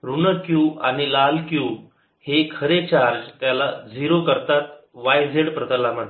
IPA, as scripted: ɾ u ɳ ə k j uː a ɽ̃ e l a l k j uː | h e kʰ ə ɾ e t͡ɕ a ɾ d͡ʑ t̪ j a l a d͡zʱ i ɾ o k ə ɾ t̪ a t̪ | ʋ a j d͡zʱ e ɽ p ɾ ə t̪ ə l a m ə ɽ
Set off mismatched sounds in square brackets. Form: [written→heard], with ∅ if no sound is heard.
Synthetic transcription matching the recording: ɾ u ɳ ə k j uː a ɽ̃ [e→i] l a l k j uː | h e kʰ ə ɾ e t͡ɕ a ɾ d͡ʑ t̪ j a l a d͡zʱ i ɾ o k ə ɾ t̪ a t̪ | ʋ a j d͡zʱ e ɽ p ɾ ə t̪ ə l a m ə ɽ

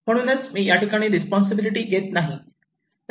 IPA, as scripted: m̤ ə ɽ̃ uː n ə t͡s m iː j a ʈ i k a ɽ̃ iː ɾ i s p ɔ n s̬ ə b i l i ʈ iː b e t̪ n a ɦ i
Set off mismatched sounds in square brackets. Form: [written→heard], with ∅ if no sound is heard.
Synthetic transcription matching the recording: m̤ ə ɽ̃ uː n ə t͡s m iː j a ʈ i k a ɽ̃ iː ɾ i s p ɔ n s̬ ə b i l i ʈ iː [b→ɡ] e t̪ n a ɦ i

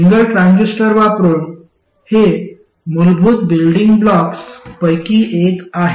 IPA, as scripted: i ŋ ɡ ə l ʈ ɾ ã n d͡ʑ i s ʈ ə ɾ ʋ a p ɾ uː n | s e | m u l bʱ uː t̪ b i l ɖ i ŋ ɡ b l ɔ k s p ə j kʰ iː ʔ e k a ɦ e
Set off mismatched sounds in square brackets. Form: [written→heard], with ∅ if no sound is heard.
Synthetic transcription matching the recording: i ŋ ɡ ə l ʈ ɾ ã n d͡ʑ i s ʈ ə ɾ ʋ a p ɾ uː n | [s→h] e | m u l bʱ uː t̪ b i l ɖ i ŋ ɡ b l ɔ k s p ə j [kʰ→k] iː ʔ e k a ɦ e

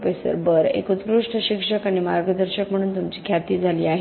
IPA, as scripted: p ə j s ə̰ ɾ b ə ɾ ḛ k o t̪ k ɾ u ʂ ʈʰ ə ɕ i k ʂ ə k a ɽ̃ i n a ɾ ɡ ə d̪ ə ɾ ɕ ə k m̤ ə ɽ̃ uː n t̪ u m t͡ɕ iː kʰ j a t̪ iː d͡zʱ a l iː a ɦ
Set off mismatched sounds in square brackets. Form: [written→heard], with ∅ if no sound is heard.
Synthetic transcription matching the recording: p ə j s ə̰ ɾ b ə ɾ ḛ k [o→u] t̪ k ɾ u ʂ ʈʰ ə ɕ i k ʂ ə k a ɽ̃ i [n→m] a ɾ ɡ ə d̪ ə ɾ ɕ ə k m̤ ə ɽ̃ uː n t̪ u m t͡ɕ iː kʰ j a t̪ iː d͡zʱ a l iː a ɦ

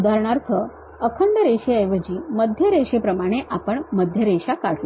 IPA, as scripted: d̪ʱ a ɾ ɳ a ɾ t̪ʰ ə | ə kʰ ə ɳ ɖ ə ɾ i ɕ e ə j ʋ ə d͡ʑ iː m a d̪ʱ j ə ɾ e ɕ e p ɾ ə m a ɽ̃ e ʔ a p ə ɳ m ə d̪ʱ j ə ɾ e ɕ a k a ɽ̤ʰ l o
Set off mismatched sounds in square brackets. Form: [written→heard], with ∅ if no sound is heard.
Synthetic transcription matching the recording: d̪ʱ a ɾ ɳ a ɾ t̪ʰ ə | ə kʰ ə ɳ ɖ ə ɾ [i→e] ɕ e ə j ʋ ə d͡ʑ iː m [a→ə] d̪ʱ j ə ɾ e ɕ e p ɾ ə m a ɽ̃ e ʔ a p ə ɳ m ə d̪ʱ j ə ɾ e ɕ a k a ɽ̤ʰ l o

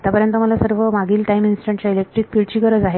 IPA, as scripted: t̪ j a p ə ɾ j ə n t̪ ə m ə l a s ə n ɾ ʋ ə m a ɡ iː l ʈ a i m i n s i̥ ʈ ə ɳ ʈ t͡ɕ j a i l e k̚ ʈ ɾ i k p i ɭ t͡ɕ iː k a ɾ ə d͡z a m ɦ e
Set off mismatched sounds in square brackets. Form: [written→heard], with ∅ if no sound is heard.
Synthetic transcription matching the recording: t̪ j a p ə ɾ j ə n t̪ ə m ə l a s ə [n→∅] ɾ ʋ ə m a ɡ iː l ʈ a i m i n s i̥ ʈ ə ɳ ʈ t͡ɕ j a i l e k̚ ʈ ɾ i k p i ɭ t͡ɕ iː k [a→ə] ɾ ə d͡z a [m→∅] ɦ e

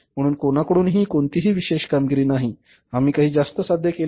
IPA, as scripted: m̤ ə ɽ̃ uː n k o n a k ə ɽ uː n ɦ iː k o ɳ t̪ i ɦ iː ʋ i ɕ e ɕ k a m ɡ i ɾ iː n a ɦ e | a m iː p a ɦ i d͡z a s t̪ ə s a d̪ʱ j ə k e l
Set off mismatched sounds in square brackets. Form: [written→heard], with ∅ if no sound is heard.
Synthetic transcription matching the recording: m̤ ə ɽ̃ uː n k o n a k ə ɽ uː n ɦ iː k o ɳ t̪ i ɦ iː ʋ i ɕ e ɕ k a m ɡ i ɾ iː n a ɦ [e→i] | a m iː [p→k] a ɦ [i→iː] d͡z a s t̪ ə s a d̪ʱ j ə k e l

